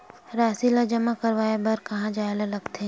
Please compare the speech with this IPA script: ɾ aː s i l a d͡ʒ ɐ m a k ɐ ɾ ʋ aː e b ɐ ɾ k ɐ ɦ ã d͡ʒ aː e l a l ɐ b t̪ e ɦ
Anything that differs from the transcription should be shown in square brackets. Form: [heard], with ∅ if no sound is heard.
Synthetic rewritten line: ɾ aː s i l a d͡ʒ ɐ m a k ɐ ɾ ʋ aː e b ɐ ɾ k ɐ ɦ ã d͡ʒ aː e l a l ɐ [ɡ] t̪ e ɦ